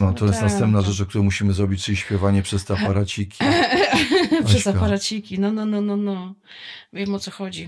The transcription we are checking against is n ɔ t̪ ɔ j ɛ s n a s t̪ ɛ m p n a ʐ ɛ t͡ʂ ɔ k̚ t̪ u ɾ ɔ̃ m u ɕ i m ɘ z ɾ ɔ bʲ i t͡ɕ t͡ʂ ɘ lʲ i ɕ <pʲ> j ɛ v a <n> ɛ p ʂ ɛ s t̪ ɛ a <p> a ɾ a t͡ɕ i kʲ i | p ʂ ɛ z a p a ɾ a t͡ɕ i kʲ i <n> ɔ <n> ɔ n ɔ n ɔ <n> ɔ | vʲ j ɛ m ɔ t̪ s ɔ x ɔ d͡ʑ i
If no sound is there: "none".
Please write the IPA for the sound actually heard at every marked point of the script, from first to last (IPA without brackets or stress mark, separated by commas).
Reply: pʲ, ɲ, p, n, n, n